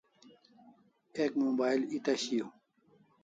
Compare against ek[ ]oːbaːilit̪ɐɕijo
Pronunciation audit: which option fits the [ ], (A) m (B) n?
A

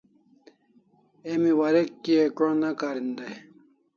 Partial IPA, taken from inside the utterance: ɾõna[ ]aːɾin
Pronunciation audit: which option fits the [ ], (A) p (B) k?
B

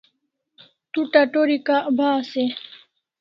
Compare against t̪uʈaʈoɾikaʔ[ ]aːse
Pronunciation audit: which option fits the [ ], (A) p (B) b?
B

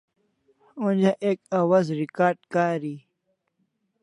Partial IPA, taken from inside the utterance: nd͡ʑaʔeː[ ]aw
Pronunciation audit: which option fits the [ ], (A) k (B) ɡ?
A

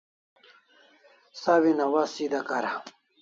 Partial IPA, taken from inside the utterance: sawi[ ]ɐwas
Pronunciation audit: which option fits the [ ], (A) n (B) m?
A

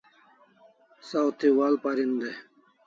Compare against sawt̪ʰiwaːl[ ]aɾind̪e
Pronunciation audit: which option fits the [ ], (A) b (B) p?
B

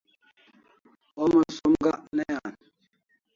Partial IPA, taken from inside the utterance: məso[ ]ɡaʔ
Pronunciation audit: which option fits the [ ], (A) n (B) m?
B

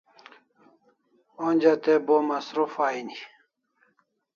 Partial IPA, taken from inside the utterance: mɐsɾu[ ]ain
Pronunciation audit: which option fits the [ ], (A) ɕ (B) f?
B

